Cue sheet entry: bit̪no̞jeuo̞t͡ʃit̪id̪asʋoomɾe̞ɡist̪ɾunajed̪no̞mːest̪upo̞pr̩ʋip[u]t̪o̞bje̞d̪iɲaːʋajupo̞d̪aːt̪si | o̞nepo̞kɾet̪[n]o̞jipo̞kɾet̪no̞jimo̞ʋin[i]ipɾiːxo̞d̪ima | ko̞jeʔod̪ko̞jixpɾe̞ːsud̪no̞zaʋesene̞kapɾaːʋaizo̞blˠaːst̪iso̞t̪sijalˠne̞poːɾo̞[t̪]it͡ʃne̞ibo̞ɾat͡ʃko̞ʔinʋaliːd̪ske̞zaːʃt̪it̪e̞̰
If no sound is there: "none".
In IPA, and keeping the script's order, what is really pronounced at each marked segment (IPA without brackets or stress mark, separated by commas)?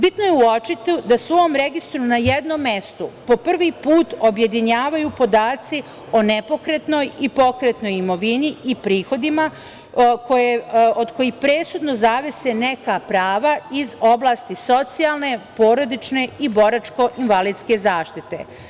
uː, n, i, d̪